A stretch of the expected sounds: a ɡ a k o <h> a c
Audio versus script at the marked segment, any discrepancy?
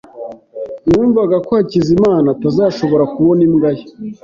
no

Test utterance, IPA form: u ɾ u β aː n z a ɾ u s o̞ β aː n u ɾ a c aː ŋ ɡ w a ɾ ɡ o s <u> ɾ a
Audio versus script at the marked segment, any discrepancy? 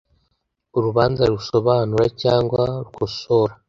yes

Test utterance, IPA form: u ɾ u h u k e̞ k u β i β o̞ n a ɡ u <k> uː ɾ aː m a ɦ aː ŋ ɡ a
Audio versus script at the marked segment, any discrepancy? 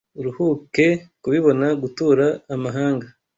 yes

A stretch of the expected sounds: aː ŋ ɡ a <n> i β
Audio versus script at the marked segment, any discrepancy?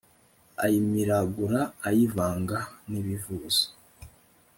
no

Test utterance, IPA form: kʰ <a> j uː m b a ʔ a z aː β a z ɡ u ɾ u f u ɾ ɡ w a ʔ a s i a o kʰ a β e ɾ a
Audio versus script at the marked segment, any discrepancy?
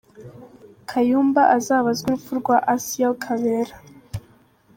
no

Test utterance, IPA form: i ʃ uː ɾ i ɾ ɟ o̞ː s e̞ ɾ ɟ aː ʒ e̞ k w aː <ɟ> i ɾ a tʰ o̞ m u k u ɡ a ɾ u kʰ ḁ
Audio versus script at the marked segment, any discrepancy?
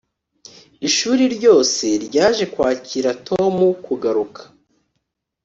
yes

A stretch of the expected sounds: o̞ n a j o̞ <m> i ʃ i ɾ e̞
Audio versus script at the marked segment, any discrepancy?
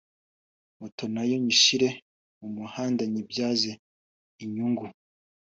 yes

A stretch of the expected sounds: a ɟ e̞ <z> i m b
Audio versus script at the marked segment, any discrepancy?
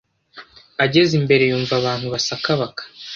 no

